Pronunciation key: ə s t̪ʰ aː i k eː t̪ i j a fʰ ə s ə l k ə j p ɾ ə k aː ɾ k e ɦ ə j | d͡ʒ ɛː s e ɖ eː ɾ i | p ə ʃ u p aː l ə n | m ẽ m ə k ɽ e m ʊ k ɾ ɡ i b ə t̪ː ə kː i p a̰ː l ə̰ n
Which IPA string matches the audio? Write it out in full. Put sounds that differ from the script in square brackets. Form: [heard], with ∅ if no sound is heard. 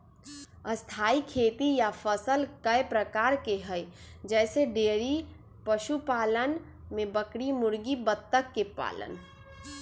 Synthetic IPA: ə s t̪ʰ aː i [kʰ] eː t̪ i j a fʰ ə s ə l k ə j p ɾ ə k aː ɾ k e ɦ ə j | d͡ʒ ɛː s e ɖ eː ɾ i | p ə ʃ u p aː l ə n | m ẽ [b] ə k ɽ [i] m ʊ [∅] ɾ ɡ i b ə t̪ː ə kː [e] p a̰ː l ə̰ n